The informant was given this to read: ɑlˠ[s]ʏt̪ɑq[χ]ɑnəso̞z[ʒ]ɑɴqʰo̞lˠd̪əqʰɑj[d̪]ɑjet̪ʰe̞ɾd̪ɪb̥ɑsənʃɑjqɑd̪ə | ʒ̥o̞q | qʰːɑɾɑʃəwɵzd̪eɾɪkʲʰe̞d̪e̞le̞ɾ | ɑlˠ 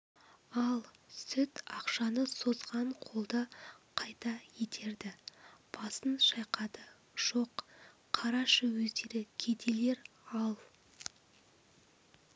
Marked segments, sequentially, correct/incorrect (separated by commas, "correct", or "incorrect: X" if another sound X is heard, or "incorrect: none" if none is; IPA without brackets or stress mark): correct, incorrect: ʃ, incorrect: ʁ, incorrect: t̪